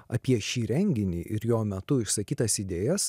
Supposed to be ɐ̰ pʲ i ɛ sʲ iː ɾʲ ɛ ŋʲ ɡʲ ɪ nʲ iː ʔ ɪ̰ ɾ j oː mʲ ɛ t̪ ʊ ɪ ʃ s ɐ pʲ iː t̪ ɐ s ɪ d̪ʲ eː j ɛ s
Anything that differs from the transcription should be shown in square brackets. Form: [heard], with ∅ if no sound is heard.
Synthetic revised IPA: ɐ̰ pʲ i ɛ [ʃʲ] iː ɾʲ ɛ ŋʲ ɡʲ ɪ nʲ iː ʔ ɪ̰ ɾ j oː mʲ ɛ t̪ ʊ ɪ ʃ s ɐ [kʲ] iː t̪ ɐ s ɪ d̪ʲ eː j ɛ s